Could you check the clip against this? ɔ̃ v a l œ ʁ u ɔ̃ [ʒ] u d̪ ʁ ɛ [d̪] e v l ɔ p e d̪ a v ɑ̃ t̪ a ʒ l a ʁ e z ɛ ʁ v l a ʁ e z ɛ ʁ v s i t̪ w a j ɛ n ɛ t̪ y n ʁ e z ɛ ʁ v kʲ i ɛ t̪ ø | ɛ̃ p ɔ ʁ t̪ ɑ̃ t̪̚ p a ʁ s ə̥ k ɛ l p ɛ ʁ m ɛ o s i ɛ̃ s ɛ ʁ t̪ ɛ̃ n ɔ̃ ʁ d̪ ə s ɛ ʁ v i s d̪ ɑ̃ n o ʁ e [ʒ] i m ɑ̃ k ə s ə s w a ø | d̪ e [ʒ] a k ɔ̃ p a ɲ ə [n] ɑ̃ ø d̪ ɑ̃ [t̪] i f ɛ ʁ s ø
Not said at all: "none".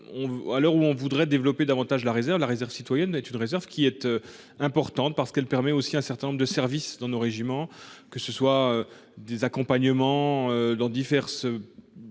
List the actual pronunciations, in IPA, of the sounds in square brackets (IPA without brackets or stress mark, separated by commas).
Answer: v, d̪, ʒ, z, m, d̪